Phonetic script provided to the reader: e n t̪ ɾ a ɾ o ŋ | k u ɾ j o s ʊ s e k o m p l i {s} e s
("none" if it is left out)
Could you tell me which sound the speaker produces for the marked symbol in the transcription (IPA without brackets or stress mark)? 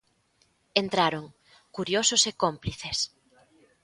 θ